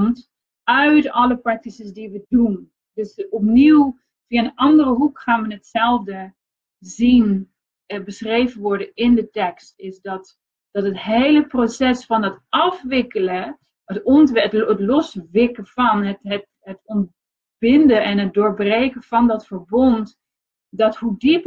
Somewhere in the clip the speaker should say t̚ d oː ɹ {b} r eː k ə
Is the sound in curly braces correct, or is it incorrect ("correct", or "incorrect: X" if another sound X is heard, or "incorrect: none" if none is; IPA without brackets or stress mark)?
correct